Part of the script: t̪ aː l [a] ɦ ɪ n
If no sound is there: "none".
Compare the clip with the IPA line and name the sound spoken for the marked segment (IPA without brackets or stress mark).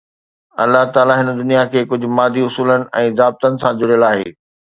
a